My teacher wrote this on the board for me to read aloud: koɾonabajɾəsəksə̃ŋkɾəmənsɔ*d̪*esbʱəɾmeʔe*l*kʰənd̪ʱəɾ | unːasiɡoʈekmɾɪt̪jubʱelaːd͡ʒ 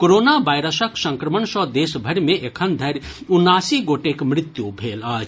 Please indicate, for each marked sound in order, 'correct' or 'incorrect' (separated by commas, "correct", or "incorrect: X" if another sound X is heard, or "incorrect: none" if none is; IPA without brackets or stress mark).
correct, incorrect: none